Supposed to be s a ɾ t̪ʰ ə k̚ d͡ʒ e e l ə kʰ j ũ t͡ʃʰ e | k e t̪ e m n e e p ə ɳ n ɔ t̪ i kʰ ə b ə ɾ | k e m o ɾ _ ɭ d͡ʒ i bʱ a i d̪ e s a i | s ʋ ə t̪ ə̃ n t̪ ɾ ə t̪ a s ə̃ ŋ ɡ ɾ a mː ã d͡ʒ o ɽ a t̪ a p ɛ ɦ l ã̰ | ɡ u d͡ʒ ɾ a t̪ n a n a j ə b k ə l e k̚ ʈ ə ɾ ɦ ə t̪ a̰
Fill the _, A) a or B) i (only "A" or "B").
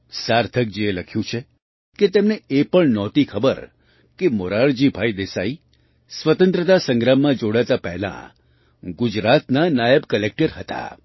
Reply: A